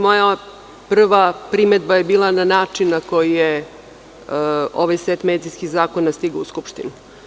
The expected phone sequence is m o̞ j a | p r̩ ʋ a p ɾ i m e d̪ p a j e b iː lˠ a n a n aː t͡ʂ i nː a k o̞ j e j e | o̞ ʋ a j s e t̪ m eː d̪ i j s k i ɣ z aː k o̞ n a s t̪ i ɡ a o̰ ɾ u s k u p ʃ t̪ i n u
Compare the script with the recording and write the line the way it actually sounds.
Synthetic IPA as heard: m o̞ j a | p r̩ ʋ a p ɾ i m e d̪ b a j e b iː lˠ a n a n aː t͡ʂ i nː a k o̞ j i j e | o̞ ʋ a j s e t̪ m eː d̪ i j s k i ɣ z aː k o̞ n a s t̪ i ɡ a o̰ u s k u p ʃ t̪ i n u

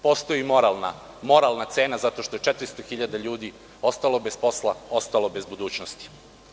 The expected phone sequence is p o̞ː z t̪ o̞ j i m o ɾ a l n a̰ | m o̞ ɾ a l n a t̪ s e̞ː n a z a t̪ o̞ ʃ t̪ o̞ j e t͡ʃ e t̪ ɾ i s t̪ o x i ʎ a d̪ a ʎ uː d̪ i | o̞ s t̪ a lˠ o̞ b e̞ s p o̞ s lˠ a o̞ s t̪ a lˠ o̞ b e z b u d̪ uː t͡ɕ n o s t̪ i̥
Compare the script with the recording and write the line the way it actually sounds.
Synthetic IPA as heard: p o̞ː s t̪ o̞ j i m o ɾ a l n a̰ | m o̞ ɾ a l n a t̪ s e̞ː n a z a t̪ o̞ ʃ t̪ o̞ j e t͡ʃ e t̪ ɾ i s t̪ o x i ʎ a d̪ a ʎ uː d̪ i | o̞ s t̪ a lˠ o̞ b e̞ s p o̞ s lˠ a o̞ s t̪ a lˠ o̞ b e z b u d̪ uː t͡ɕ n o s t̪ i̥

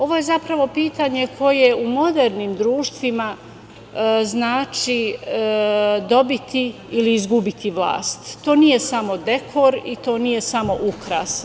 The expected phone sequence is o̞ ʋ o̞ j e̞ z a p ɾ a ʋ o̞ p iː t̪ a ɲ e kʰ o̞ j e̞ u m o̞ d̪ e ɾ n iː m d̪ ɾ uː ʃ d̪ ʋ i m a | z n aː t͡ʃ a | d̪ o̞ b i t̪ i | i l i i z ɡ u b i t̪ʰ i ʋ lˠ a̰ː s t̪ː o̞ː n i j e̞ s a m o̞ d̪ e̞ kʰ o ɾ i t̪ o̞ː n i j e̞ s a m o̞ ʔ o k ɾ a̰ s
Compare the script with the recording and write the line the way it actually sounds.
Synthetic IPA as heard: o̞ ʋ o̞ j e̞ z a p ɾ a ʋ o̞ p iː t̪ a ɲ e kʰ o̞ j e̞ u m o̞ d̪ e ɾ n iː m d̪ ɾ uː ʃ t̪ ʋ i m a | z n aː t͡ʃ i | d̪ o̞ b i t̪ i | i l i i z ɡ u b i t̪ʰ i ʋ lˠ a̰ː s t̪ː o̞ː n i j e̞ s a m o̞ d̪ e̞ kʰ o ɾ i t̪ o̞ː n i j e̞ s a m o̞ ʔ u k ɾ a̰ s

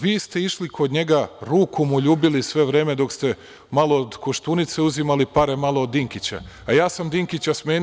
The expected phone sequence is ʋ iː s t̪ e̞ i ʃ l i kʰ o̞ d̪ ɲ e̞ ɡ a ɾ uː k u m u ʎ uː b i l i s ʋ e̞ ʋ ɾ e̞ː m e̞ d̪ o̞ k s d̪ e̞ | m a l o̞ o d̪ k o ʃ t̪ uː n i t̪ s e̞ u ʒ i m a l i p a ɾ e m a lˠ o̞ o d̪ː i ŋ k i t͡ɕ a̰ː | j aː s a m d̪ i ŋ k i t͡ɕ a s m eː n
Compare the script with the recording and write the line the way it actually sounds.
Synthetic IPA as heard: ʋ iː s t̪ e̞ i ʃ l i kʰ o̞ d̪ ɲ e̞ ɡ a ɾ uː k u m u ʎ uː b i l i s ʋ e̞ ʋ ɾ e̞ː m e̞ d̪ o̞ k s t̪ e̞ | m a l o̞ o d̪ k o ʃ t̪ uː n i t̪ s e̞ u z i m a l i p a ɾ e m a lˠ o̞ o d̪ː i ŋ k i t͡ɕ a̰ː | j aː s a m d̪ i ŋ k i t͡ɕ a s m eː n

